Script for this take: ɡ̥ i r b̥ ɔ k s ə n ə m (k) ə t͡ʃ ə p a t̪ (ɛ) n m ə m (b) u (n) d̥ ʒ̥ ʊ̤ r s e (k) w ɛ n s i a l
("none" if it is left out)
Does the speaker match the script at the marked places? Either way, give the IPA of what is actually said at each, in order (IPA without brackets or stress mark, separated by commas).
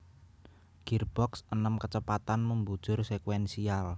k, a, b, none, k